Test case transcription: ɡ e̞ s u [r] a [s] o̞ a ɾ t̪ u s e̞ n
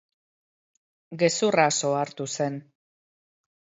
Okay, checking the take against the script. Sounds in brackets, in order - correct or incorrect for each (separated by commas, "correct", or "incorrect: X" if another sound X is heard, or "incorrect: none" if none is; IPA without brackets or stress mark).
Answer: correct, correct